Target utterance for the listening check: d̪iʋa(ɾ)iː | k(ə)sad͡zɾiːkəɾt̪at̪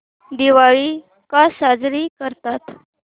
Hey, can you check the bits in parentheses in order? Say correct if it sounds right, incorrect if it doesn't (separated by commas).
incorrect, incorrect